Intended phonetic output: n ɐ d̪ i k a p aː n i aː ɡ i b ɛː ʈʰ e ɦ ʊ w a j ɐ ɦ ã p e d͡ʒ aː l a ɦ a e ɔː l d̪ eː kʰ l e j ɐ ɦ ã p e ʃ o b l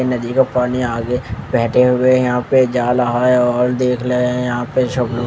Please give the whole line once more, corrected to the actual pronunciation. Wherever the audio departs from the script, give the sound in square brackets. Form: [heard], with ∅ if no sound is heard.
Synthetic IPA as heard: n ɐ d̪ i k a p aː n i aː ɡ [e] b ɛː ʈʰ e ɦ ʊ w [e] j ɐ ɦ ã p e d͡ʒ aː l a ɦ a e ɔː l d̪ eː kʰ l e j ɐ ɦ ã p e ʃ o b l